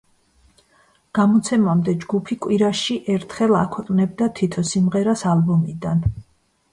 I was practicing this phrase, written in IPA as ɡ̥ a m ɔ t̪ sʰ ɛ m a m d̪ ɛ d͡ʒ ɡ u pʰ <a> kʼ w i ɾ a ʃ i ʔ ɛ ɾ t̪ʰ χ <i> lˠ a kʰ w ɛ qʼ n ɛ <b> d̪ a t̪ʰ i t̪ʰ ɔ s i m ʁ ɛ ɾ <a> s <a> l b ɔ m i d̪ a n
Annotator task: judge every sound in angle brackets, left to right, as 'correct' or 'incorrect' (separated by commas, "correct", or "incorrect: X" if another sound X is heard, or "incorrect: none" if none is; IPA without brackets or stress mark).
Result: incorrect: i, incorrect: ɛ, correct, correct, correct